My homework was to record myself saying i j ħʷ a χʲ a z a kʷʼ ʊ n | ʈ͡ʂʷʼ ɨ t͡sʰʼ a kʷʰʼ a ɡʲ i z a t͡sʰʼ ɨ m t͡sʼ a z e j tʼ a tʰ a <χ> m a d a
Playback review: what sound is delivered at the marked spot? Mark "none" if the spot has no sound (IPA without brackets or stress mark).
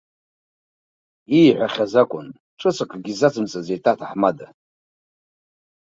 ħ